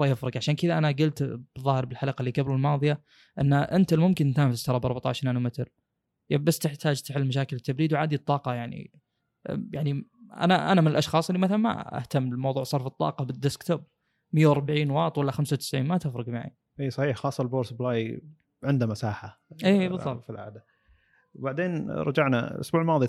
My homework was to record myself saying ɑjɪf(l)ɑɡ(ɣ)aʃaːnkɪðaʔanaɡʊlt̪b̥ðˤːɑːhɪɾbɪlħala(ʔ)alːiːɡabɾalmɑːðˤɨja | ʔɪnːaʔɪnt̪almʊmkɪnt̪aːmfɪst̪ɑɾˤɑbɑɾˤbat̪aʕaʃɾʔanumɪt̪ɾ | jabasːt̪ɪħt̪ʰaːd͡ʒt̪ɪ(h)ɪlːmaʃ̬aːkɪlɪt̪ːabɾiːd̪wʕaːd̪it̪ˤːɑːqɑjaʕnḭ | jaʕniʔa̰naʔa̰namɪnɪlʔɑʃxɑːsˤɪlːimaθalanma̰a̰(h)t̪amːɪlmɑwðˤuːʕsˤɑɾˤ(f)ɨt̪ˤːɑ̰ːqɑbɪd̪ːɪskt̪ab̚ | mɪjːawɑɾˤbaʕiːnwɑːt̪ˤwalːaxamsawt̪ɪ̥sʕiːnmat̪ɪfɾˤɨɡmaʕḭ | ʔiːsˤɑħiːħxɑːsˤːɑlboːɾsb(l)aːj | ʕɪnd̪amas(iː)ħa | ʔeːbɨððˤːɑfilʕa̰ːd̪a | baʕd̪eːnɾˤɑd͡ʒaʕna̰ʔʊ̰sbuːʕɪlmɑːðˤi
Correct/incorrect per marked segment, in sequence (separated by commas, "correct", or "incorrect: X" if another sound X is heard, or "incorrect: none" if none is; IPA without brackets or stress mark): incorrect: ɾ, incorrect: ʕ, incorrect: q, incorrect: ħ, correct, correct, correct, incorrect: aː